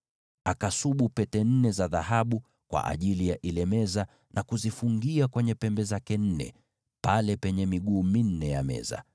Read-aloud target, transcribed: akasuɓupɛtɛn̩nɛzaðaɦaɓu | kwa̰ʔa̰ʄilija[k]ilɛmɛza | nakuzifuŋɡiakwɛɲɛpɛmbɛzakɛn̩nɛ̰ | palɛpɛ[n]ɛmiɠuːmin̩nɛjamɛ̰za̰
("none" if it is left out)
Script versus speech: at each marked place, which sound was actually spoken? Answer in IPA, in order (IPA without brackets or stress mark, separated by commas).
ʔ, ɲ